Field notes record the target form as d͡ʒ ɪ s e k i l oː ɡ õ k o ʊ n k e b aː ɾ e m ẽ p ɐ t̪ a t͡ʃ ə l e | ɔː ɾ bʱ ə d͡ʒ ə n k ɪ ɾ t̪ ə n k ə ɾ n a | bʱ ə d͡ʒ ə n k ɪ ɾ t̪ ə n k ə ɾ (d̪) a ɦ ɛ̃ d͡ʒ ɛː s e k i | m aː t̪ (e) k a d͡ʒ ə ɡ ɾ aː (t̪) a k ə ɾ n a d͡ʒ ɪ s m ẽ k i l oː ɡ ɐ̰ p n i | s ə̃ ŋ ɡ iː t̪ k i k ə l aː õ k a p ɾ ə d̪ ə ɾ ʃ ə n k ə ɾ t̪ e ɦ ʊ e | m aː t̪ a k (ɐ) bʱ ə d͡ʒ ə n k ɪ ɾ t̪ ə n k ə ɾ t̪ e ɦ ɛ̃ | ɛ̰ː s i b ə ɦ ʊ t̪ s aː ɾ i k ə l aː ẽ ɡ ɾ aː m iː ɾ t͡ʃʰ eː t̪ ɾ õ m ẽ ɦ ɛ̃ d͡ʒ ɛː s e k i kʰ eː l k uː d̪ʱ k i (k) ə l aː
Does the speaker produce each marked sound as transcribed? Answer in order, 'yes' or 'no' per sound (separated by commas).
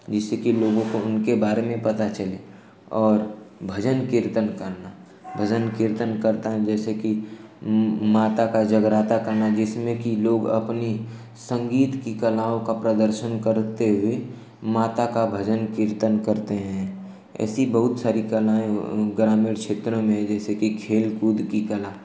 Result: no, no, yes, no, yes